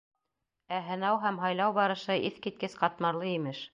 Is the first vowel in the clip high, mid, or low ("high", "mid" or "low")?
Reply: low